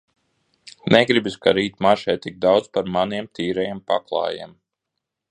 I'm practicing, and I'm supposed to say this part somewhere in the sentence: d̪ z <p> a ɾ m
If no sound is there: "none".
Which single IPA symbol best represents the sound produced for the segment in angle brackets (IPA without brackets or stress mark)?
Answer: p